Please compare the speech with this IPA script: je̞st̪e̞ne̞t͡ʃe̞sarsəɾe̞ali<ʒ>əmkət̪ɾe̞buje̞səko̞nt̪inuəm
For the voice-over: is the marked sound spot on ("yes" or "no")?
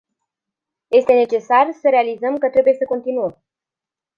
no